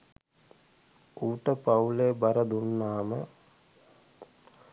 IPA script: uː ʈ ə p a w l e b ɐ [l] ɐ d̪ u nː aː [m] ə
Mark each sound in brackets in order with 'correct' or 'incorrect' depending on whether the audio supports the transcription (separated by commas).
incorrect, correct